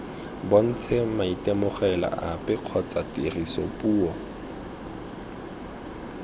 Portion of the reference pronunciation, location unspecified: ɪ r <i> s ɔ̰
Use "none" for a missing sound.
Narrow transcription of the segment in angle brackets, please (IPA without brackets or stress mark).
i